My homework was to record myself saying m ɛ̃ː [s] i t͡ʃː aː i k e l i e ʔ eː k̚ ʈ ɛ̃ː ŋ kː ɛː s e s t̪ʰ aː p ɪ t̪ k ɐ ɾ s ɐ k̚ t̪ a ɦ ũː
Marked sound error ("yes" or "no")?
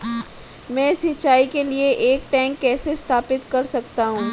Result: no